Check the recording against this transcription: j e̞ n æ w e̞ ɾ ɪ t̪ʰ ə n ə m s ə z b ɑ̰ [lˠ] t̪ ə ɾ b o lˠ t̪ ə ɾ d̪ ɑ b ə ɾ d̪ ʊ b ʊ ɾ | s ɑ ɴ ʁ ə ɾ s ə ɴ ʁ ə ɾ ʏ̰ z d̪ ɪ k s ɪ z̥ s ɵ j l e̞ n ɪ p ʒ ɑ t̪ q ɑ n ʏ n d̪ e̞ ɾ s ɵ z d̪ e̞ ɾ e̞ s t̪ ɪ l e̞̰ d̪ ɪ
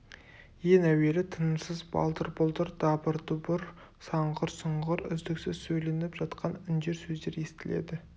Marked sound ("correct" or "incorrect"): correct